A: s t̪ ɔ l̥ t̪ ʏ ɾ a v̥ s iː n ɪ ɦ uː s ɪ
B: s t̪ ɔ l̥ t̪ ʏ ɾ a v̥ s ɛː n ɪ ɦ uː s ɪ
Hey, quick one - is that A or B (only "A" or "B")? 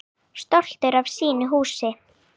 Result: A